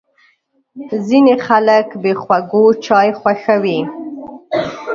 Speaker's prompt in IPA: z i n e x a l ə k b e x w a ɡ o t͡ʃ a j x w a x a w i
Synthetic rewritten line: z i n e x a l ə k b e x w a ɡ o t͡ʃ ɑ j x w a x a w i